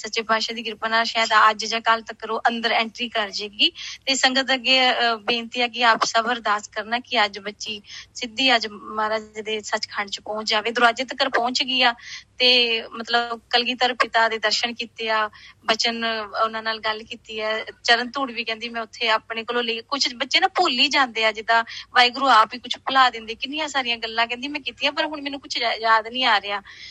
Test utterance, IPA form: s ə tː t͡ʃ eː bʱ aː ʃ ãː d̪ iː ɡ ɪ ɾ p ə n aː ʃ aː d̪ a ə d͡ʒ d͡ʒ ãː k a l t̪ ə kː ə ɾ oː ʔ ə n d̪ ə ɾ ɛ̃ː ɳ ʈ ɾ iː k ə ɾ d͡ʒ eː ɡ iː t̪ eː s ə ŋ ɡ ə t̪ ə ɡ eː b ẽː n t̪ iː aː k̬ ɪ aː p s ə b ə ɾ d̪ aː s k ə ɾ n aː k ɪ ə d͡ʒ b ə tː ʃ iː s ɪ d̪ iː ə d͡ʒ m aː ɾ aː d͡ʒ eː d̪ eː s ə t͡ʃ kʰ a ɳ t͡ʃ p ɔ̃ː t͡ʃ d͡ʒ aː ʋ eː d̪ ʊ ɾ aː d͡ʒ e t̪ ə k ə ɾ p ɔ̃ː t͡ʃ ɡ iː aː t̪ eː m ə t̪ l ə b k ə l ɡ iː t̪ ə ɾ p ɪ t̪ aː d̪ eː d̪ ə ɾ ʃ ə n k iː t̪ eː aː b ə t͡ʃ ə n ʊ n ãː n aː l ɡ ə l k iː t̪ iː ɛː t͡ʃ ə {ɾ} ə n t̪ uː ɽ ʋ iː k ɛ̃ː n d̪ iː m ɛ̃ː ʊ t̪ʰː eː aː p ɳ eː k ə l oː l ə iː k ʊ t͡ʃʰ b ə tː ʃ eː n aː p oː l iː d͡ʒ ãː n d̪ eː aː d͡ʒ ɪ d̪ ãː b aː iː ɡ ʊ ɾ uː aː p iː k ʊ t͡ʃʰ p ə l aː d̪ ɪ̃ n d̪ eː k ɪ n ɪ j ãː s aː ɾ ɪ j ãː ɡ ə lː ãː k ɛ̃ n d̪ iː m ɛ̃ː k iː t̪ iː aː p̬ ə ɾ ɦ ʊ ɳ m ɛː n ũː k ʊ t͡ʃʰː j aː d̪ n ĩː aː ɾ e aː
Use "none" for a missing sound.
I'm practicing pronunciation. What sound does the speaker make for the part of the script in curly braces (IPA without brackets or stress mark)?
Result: ɾ